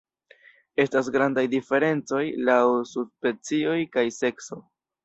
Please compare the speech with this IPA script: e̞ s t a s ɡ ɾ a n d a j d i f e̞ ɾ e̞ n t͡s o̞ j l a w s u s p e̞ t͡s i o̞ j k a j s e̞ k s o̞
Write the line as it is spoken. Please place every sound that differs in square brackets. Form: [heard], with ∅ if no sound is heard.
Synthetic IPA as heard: e̞ s t a s ɡ ɾ a n d a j d i f e̞ ɾ e̞ n t͡s o̞ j l a w s u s p e̞ t͡s i o̞ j k a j s e̞ k s o̞